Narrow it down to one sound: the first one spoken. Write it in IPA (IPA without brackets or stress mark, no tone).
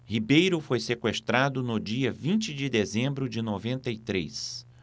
h